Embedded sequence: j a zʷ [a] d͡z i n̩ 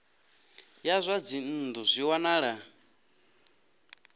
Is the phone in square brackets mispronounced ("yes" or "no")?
no